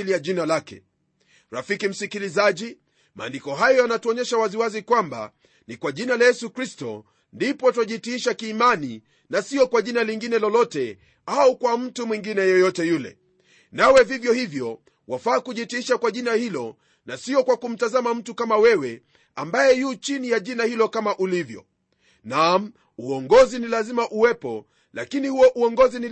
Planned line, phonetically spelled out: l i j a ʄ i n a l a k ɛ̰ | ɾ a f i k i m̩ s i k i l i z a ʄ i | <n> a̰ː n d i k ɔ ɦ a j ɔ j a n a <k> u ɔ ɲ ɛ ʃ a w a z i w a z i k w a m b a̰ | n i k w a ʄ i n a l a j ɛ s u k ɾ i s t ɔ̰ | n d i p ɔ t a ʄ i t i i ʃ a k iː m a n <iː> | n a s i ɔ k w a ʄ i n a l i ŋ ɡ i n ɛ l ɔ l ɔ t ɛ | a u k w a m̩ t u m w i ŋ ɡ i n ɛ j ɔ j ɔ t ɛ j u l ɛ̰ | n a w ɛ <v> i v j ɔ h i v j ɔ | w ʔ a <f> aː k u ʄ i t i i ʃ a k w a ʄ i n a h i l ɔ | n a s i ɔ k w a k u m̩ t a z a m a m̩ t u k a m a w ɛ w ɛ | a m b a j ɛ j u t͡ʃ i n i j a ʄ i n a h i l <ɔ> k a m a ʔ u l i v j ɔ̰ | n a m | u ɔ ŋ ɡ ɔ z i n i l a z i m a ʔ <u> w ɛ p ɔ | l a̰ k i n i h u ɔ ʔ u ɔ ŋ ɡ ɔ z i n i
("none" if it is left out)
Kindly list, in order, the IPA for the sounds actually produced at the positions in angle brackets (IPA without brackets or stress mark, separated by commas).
m, t, i, v, f, ɔ, u